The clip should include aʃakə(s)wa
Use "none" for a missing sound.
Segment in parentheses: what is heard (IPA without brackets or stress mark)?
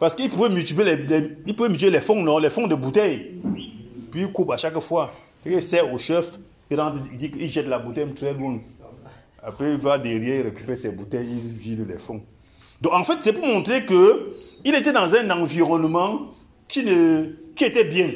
f